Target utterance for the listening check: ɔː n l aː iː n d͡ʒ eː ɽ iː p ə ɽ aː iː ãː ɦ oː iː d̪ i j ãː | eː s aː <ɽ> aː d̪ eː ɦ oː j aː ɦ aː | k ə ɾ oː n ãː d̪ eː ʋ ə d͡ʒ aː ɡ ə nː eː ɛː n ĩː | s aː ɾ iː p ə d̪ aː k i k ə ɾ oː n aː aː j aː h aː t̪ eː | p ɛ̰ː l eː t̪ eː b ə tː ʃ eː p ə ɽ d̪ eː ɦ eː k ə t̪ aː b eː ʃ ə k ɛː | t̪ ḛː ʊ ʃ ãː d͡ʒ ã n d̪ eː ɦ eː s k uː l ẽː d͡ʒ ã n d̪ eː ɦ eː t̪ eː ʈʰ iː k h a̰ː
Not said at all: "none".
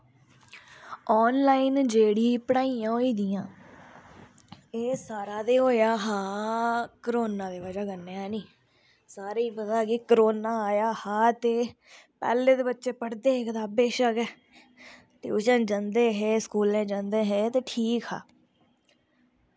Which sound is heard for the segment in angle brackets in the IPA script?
ɾ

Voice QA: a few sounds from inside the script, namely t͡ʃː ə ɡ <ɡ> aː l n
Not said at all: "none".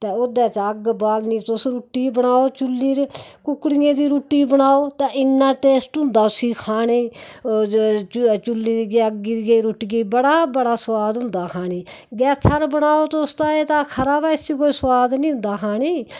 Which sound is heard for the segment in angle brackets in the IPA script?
b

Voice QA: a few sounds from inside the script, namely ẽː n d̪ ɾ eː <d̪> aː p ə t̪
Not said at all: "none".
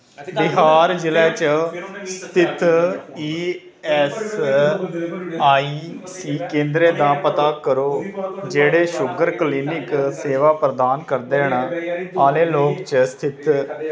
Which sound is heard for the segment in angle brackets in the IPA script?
d̪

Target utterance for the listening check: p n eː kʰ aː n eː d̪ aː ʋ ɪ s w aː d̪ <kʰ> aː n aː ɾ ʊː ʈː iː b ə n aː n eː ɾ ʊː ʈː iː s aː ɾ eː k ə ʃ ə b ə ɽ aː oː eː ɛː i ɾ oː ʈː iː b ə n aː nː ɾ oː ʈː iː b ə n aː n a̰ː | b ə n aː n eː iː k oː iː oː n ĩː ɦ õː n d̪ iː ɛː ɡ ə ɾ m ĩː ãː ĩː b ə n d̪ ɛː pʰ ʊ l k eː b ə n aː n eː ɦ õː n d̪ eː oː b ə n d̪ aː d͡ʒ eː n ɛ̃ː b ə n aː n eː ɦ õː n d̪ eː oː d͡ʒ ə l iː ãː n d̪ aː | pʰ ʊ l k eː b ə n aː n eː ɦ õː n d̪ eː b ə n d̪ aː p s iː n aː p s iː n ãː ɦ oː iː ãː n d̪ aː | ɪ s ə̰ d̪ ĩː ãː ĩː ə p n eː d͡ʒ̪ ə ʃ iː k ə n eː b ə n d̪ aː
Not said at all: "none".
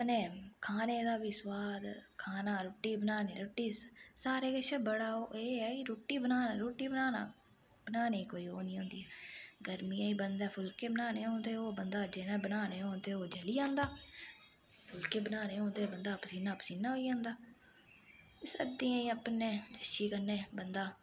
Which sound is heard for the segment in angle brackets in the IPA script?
kʰ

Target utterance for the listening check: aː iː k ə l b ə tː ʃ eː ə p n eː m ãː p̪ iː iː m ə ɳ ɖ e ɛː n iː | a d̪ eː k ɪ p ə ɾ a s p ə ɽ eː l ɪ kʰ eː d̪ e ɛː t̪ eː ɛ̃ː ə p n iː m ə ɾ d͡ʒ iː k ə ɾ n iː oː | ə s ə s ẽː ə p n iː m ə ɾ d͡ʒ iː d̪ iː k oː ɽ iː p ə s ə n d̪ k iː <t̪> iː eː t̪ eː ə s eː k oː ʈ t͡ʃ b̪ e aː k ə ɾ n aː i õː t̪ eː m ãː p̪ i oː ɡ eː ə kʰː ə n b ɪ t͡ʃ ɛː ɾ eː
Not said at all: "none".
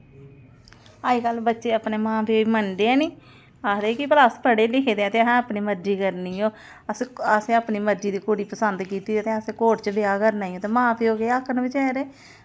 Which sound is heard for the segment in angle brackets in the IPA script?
t̪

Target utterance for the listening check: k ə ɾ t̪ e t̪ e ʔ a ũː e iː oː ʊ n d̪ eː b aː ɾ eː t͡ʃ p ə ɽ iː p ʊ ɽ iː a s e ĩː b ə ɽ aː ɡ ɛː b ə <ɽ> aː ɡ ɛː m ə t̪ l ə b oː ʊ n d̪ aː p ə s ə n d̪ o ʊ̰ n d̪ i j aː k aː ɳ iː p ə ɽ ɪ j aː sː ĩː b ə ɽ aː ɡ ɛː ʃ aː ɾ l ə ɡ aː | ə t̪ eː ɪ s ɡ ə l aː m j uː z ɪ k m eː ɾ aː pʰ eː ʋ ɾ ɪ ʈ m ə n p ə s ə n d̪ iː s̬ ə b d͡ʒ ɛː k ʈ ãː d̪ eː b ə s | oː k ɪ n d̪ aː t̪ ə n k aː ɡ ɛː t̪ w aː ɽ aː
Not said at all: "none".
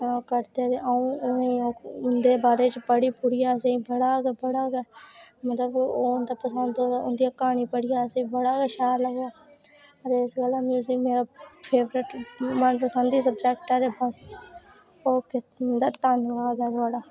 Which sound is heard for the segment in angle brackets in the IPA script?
ɽ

